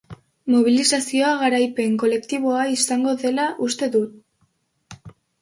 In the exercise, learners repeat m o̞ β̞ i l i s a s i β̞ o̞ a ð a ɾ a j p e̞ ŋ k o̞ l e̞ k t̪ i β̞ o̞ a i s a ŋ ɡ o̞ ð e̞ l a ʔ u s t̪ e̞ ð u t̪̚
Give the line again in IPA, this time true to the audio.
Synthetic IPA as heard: m o̞ β̞ i l i s a s i o̞ a ɣ a ɾ a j p e̞ ŋ k o̞ l e̞ k t̪ i β̞ o̞ a i s a ŋ ɡ o̞ ð e̞ l a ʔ u s t̪ e̞ ð u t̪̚